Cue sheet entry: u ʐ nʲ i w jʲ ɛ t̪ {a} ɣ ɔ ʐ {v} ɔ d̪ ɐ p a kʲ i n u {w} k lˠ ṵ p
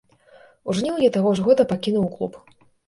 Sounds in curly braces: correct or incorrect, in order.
correct, incorrect, correct

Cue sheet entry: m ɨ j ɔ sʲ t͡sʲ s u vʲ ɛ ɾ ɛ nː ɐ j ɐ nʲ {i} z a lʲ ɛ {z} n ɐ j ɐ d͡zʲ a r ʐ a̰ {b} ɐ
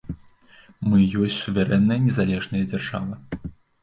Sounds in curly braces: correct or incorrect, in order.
incorrect, incorrect, incorrect

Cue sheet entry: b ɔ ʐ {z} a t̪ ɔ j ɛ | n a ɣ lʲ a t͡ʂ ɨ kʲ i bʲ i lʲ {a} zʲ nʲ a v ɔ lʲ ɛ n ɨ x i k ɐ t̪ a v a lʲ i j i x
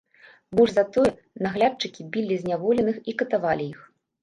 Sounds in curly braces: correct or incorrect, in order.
correct, incorrect

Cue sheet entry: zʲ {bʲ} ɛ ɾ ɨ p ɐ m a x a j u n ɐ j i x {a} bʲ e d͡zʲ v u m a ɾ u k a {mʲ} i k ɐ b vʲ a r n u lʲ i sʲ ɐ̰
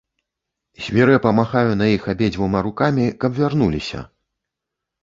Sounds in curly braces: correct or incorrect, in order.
incorrect, correct, correct

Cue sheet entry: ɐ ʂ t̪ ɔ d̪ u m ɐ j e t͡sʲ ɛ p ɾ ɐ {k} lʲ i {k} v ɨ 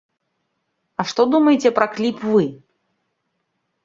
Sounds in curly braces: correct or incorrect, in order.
correct, incorrect

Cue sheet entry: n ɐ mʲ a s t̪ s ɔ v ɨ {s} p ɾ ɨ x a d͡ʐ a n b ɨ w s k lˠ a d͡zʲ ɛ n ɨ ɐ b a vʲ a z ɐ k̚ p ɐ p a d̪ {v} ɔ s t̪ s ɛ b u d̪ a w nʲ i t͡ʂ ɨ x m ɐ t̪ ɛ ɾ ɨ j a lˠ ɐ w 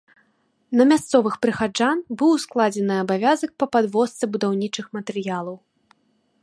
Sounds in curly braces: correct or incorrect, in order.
incorrect, correct

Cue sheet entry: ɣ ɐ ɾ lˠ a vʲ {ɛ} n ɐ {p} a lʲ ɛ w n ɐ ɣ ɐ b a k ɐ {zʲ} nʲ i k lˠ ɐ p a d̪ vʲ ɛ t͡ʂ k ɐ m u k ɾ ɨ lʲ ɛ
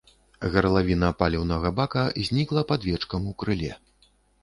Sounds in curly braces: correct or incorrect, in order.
incorrect, correct, correct

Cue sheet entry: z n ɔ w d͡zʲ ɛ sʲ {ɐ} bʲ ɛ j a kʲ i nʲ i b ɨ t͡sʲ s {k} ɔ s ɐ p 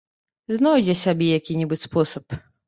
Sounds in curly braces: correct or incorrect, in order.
incorrect, incorrect

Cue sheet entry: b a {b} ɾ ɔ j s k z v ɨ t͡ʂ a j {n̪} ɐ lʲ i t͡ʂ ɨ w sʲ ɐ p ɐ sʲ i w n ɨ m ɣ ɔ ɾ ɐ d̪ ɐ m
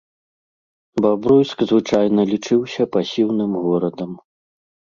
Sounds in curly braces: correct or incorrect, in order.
correct, correct

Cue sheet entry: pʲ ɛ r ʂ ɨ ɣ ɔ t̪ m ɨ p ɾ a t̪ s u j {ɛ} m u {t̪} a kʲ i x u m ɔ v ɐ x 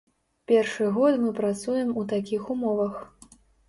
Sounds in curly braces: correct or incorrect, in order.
correct, correct

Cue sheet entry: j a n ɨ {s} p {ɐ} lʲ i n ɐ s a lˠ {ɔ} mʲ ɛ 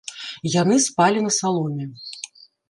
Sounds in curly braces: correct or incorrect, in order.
correct, incorrect, correct

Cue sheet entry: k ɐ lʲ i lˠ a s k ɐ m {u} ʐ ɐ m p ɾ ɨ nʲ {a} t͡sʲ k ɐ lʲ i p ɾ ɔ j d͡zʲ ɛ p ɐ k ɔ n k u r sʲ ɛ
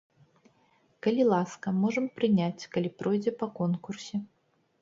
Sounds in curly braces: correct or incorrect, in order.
incorrect, correct

